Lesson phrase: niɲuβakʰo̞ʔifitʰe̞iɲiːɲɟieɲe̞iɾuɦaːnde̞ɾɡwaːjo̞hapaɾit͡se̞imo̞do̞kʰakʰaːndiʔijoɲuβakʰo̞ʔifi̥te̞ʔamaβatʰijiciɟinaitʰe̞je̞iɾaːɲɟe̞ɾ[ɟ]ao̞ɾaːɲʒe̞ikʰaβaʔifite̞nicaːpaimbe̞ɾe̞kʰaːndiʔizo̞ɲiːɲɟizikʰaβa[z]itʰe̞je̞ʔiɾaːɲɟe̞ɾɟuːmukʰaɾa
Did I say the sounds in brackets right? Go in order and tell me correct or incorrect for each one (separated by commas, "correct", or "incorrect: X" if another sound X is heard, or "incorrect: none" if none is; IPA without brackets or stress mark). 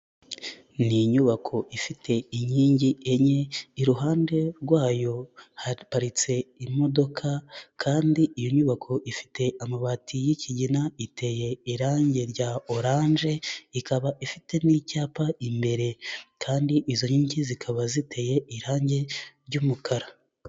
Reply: correct, correct